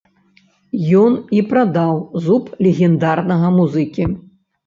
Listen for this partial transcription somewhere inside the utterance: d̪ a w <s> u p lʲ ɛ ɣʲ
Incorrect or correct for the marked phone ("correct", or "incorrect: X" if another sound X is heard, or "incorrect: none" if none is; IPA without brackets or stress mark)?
incorrect: z